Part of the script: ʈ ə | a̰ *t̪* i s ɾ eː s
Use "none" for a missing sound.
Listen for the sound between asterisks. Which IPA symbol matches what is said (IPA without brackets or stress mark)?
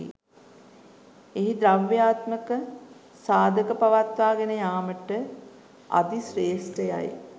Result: d̪